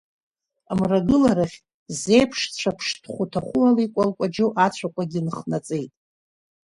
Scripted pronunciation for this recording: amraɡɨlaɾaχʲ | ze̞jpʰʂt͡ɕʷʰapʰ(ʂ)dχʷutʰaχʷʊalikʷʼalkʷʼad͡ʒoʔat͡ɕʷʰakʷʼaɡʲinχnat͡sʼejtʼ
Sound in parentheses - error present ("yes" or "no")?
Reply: no